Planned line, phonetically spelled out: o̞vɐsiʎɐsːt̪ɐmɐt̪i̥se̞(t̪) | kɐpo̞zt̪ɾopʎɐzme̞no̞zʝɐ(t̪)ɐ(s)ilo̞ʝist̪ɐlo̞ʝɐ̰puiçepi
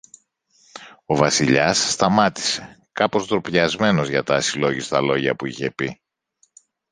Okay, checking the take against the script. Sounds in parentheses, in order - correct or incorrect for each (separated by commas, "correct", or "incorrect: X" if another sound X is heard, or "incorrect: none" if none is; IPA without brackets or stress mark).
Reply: incorrect: none, correct, correct